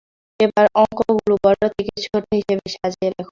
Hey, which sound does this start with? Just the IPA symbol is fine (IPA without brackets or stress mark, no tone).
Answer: e